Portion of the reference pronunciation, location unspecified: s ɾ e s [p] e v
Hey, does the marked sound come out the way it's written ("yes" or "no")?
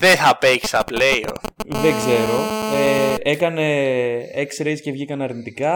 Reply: no